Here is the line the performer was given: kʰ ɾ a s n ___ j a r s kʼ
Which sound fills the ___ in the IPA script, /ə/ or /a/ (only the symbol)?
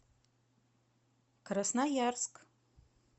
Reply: a